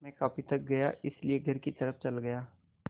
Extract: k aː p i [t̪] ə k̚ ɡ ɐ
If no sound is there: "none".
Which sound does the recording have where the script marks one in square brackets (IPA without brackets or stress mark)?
t̪